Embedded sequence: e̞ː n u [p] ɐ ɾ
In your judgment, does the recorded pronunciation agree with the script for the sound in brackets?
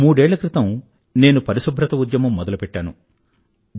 yes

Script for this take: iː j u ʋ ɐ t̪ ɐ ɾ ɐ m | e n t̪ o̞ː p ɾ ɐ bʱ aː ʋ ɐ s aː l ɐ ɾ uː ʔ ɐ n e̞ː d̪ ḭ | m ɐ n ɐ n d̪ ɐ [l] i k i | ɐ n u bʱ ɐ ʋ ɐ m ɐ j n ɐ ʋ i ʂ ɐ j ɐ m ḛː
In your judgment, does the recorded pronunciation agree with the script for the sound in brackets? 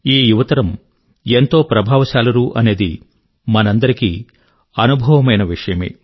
no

